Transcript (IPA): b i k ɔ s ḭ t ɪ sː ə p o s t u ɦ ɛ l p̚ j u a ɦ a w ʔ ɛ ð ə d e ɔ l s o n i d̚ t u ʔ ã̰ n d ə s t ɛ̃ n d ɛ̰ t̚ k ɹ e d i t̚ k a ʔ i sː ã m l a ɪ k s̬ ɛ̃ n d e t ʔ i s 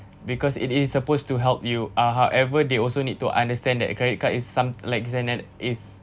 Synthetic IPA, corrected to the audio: b i k ɔ s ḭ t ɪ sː ə p o s t u ɦ ɛ l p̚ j u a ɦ a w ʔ ɛ v ə d e ɔ l s o n i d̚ t u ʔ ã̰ n d ə s t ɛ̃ n d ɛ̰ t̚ k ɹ ɛ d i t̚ k a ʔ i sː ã m l a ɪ k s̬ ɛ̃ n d ɛ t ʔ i s